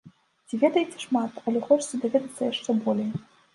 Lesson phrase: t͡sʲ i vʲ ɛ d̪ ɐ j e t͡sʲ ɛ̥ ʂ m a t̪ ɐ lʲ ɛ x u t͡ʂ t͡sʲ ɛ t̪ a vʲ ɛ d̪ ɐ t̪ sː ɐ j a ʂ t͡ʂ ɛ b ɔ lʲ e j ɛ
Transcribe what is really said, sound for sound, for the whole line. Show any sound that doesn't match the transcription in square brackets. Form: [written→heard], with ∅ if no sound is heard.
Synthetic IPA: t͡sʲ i vʲ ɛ d̪ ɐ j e t͡sʲ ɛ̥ ʂ m a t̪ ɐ lʲ ɛ x [u→ɔ] t͡ʂ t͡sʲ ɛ [t̪→d̪] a vʲ ɛ d̪ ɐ t̪ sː ɐ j a ʂ t͡ʂ ɛ b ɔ lʲ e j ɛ